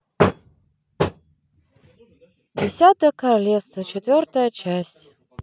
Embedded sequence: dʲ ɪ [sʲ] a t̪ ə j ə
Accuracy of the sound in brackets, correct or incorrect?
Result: correct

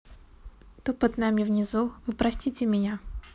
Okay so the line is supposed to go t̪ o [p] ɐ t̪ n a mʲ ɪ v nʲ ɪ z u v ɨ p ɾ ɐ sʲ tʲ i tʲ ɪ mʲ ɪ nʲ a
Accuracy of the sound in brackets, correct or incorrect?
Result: correct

